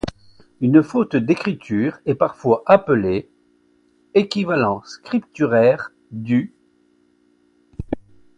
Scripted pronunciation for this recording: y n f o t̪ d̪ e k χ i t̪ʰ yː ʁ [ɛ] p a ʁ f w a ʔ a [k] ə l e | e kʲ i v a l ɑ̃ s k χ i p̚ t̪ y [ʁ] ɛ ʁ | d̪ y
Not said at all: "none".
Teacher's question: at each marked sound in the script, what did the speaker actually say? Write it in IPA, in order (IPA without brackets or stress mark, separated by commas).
ɛ, p, ʁ